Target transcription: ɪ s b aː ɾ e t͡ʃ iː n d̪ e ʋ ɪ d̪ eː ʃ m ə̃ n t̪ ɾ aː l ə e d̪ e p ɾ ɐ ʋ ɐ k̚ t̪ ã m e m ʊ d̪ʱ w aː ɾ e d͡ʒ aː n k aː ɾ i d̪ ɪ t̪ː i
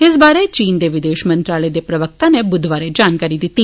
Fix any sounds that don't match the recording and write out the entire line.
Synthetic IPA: ɪ s b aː ɾ e t͡ʃ iː n d̪ e ʋ ɪ d̪ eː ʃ m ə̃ n t̪ ɾ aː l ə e d̪ e p ɾ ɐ ʋ ə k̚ t̪ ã n e b ʊ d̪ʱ ʋ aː ɾ e d͡ʒ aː n k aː ɾ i d̪ ɪ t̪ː i